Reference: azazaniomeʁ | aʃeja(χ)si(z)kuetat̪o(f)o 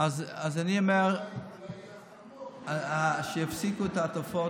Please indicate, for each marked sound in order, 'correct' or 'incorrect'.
incorrect: f, incorrect: none, correct

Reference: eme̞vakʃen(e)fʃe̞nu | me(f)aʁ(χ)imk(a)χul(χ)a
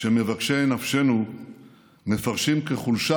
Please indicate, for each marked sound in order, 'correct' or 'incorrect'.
incorrect: a, correct, incorrect: ʃ, incorrect: e, incorrect: ʃ

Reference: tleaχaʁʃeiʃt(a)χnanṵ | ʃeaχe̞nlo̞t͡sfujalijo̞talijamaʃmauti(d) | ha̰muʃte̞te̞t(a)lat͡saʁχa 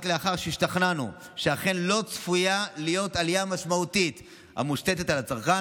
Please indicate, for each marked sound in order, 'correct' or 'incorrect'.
correct, incorrect: t, correct

